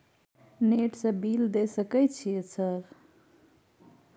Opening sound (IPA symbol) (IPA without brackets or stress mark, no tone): n